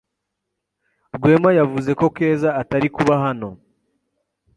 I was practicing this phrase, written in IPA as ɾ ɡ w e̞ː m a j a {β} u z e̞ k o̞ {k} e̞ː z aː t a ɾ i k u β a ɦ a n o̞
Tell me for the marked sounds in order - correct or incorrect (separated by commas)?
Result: incorrect, correct